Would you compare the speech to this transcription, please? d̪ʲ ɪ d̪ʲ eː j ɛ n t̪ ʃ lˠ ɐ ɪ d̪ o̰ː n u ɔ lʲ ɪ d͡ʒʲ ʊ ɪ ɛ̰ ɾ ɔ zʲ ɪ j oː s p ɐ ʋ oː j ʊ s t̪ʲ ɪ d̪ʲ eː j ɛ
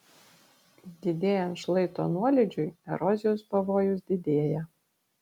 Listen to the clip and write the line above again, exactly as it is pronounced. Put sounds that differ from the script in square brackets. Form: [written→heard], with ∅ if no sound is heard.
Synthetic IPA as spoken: d̪ʲ ɪ d̪ʲ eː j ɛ n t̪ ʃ lˠ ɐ ɪ [d̪→t̪] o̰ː n u ɔ lʲ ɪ d͡ʒʲ ʊ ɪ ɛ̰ ɾ ɔ zʲ ɪ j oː s p ɐ ʋ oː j ʊ s [t̪ʲ→d̪ʲ] ɪ d̪ʲ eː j ɛ